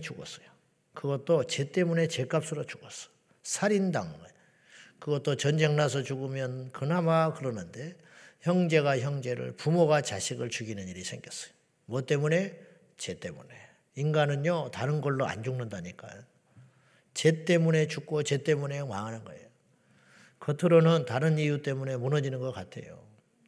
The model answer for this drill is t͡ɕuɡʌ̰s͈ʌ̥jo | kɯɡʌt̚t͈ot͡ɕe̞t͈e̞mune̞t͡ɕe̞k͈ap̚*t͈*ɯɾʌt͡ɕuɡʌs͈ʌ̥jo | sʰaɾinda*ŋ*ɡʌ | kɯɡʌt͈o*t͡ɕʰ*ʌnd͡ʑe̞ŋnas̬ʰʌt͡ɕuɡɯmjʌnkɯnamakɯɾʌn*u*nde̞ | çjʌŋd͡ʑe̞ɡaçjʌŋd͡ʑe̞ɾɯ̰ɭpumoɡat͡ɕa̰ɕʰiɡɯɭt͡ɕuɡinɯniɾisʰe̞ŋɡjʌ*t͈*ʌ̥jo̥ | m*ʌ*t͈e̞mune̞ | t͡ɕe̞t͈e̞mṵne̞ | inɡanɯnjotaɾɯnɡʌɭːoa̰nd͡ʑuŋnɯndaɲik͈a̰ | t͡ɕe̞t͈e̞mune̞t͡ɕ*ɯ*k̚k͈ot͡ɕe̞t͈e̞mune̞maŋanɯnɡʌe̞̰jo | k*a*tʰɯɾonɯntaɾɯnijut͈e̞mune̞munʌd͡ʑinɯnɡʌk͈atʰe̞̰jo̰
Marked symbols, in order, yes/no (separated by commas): no, yes, no, no, no, yes, no, no